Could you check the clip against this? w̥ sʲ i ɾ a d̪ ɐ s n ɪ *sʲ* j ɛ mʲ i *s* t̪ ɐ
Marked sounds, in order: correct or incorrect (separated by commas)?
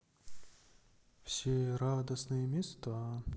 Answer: incorrect, correct